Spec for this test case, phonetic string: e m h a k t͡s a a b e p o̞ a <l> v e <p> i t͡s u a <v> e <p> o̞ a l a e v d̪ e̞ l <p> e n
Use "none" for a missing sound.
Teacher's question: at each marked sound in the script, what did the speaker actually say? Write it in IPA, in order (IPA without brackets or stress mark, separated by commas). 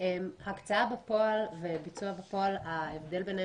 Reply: l, b, b, p, b